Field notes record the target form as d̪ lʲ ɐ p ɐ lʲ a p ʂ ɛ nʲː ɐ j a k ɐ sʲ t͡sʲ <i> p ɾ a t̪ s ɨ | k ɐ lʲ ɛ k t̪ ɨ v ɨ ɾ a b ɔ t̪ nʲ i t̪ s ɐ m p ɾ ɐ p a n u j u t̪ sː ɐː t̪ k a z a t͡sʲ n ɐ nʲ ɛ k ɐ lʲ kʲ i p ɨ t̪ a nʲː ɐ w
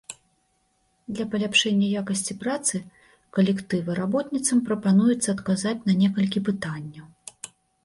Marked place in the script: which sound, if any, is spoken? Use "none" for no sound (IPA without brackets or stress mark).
i